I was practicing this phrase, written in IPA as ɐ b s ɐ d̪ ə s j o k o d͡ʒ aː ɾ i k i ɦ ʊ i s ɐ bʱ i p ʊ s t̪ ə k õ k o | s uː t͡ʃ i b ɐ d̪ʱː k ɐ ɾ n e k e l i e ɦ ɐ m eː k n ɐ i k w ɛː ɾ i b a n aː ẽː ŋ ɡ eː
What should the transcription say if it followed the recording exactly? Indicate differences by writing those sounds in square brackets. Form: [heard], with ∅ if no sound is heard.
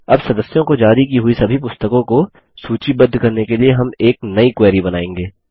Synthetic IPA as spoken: ɐ b s ɐ d̪ ə s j [õ] k o d͡ʒ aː ɾ i k i ɦ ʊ i s ɐ bʱ i p ʊ s t̪ ə k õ k o | s uː t͡ʃ i b ɐ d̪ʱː k ɐ ɾ n e k e l i e ɦ ɐ m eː k n ɐ i k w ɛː ɾ i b [ɐ] n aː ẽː ŋ ɡ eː